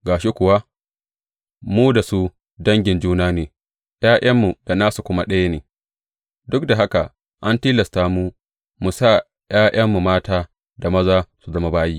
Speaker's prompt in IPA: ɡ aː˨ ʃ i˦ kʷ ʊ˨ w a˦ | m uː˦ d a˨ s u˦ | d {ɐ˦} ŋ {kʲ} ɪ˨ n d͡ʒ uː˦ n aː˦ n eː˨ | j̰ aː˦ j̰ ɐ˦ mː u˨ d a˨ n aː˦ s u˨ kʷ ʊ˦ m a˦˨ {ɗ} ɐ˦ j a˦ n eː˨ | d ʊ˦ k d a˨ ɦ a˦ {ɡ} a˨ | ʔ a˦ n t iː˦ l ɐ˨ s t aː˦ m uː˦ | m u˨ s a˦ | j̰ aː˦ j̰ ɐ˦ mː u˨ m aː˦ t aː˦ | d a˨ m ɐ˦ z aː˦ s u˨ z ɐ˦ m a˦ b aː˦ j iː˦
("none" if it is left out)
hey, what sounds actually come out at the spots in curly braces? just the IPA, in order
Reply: ɐ˦, ɡʲ, ɗ, k

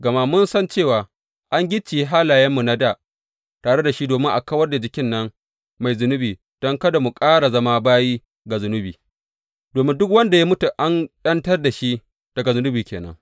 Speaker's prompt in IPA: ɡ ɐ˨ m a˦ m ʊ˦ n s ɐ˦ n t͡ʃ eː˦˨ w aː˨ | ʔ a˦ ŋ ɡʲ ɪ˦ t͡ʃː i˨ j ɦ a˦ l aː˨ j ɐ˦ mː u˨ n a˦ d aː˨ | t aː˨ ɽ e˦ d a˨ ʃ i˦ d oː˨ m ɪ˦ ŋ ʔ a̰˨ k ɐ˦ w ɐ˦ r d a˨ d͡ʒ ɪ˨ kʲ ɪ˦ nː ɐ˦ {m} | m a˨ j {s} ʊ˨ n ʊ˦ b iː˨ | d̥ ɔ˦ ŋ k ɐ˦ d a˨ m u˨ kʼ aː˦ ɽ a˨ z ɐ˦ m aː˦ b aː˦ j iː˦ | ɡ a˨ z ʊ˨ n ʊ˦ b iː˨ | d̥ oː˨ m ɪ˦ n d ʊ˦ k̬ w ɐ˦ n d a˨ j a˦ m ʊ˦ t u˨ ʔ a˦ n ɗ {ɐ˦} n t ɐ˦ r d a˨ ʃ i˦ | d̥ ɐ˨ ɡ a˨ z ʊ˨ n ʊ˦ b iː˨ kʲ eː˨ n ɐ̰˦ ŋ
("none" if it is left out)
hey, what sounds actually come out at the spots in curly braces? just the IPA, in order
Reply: ŋ, z, ɐ˦

